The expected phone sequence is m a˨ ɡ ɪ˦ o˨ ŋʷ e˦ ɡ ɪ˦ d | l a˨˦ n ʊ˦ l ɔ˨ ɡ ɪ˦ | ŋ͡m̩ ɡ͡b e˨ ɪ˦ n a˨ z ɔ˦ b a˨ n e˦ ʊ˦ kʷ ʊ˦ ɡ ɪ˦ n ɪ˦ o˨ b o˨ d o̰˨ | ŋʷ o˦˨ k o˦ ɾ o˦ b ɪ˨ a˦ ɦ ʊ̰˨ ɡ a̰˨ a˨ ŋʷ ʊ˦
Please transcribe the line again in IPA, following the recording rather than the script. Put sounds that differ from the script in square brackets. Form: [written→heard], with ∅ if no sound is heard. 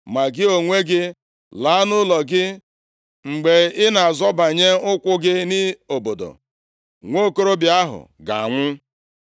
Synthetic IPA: m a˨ ɡ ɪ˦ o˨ ŋʷ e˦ ɡ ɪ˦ [d→∅] | l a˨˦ n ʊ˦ l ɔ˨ ɡ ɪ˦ | ŋ͡m̩ ɡ͡b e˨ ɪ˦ n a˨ z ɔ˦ b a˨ [n→ɲ] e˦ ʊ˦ kʷ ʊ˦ ɡ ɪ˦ n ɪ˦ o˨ b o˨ d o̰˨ | ŋʷ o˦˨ k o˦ ɾ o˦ b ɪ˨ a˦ ɦ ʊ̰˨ ɡ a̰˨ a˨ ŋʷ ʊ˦